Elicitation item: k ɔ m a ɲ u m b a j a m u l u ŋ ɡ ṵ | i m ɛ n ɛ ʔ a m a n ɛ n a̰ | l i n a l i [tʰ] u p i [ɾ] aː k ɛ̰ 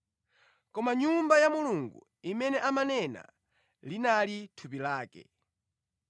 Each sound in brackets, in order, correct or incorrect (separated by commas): correct, incorrect